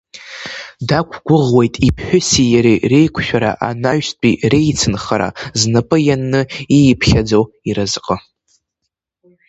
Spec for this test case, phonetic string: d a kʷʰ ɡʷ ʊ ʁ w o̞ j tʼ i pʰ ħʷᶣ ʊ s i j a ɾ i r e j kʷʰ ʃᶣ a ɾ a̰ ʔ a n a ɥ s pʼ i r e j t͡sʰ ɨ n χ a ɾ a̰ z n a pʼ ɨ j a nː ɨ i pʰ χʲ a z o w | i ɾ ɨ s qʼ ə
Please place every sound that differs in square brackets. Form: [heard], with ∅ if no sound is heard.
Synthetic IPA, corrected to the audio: d a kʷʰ ɡʷ ʊ ʁ w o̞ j tʼ i pʰ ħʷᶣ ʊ s i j a ɾ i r e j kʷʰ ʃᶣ a ɾ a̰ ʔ a n a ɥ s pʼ i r e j t͡sʰ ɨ n χ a ɾ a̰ z n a pʼ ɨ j a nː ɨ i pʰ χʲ a [d͡z] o w | i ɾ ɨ [z] qʼ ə